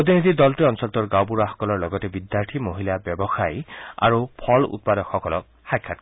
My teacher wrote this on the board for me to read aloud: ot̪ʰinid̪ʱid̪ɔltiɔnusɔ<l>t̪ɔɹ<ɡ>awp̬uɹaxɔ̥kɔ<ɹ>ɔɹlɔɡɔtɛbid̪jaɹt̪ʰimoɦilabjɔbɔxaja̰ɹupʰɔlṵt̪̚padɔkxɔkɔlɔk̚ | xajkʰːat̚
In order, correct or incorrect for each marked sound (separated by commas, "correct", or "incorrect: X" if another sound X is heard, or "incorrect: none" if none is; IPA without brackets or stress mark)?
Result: correct, correct, incorrect: l